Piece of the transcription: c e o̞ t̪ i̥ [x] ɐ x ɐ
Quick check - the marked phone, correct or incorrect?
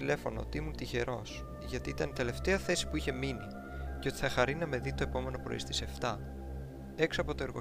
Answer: incorrect